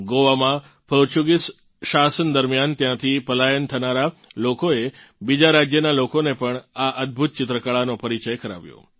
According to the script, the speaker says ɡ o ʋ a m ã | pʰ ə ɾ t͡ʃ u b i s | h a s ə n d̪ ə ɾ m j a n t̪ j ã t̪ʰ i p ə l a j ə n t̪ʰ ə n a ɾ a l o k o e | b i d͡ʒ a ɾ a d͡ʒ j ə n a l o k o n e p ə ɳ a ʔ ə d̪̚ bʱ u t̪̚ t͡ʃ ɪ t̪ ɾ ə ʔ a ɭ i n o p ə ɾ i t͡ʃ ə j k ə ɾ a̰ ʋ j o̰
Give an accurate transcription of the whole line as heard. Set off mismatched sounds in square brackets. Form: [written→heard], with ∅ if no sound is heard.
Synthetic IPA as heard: ɡ o ʋ a m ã | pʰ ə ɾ t͡ʃ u [b→ɡ] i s | [h→ʃ] a s ə n d̪ ə ɾ m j a n t̪ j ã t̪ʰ i p ə l a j ə n t̪ʰ ə n a ɾ a l o k o e | b i d͡ʒ a ɾ a d͡ʒ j ə n a l o k o n e p ə ɳ a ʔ ə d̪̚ bʱ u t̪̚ t͡ʃ ɪ t̪ ɾ ə [ʔ→k] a ɭ [i→a] n o p ə ɾ i t͡ʃ ə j k ə ɾ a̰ ʋ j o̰